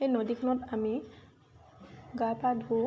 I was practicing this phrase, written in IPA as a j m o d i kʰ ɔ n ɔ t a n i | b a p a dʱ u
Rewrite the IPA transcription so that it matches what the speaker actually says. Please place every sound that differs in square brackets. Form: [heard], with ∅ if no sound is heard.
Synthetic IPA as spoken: [e] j [n] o d i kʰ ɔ n ɔ t a [m] i | [ɡ] a p a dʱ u